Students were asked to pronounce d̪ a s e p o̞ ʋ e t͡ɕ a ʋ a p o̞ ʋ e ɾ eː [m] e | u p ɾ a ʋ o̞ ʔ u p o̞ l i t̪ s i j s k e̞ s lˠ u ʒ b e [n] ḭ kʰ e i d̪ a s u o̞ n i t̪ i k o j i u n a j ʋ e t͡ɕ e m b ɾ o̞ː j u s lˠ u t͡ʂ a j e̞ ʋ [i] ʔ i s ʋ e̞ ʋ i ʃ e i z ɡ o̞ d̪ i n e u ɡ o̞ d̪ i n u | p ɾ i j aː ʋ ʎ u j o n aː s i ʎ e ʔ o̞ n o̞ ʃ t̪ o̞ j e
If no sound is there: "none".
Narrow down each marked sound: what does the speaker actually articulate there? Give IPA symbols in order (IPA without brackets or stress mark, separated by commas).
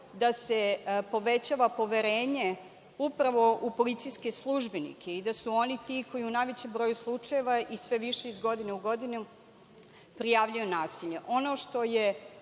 ɲ, n, a